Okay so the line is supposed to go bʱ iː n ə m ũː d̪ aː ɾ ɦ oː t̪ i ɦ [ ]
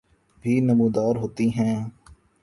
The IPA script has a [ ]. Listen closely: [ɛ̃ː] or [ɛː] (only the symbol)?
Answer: ɛ̃ː